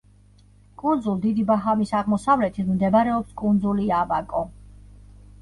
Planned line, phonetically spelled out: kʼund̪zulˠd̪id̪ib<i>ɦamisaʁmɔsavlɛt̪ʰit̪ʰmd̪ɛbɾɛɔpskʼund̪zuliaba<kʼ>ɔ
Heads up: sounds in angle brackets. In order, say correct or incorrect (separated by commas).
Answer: incorrect, correct